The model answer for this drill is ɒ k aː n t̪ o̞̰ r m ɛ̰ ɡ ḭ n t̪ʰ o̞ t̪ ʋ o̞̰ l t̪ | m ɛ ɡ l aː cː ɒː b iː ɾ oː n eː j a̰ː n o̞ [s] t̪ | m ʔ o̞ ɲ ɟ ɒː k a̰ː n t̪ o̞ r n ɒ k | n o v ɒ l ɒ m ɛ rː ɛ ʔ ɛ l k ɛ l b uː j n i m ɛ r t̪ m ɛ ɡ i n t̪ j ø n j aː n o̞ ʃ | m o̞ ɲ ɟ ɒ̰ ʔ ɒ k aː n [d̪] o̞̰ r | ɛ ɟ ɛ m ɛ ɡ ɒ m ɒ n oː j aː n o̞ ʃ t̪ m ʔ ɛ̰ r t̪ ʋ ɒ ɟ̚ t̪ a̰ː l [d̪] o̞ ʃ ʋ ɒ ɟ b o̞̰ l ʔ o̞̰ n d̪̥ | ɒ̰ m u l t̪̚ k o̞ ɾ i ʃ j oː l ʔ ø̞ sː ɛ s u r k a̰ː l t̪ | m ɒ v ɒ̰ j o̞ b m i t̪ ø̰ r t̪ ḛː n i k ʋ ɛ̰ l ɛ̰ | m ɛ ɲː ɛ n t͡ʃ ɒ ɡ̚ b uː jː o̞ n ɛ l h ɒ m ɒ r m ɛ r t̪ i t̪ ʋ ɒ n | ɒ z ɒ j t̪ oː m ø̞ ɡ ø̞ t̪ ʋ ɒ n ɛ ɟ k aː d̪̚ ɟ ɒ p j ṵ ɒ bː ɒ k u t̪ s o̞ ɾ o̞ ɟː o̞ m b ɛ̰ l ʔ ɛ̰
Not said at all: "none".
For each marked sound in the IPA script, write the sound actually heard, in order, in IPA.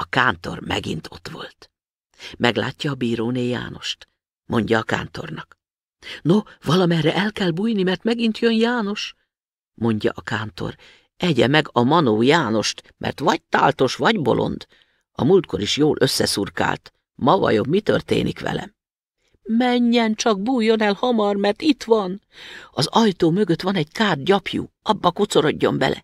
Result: ʃ, t̪, t̪

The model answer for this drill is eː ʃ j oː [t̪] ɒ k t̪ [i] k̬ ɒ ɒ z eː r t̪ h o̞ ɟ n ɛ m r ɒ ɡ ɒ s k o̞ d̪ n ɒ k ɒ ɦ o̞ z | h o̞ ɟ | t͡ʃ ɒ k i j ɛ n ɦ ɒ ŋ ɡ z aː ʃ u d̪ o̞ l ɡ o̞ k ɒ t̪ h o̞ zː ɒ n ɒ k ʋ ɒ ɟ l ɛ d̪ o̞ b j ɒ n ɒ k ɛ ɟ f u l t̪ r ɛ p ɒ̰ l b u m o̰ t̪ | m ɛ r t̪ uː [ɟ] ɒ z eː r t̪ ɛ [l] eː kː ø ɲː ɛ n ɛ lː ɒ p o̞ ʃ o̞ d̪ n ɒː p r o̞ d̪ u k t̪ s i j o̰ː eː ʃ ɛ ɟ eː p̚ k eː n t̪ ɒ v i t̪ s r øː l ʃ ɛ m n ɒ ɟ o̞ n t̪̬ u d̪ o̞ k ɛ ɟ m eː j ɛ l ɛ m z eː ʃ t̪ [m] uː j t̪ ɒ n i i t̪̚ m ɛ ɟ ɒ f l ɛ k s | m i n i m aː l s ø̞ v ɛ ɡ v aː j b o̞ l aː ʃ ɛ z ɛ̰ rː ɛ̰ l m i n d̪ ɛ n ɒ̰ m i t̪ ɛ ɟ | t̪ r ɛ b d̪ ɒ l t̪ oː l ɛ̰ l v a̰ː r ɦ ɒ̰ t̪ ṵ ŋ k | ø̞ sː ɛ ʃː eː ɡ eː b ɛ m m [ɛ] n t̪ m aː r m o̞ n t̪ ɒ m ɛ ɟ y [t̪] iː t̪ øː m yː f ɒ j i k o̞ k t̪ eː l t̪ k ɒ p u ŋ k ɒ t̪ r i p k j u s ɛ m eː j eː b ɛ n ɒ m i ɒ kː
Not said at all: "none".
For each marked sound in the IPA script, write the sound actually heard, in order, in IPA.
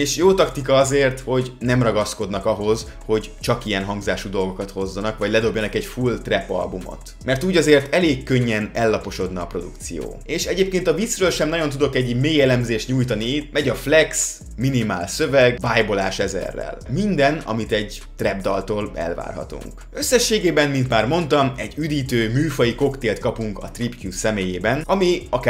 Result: t̪, i, ɟ, l, ɲ, i, d̪

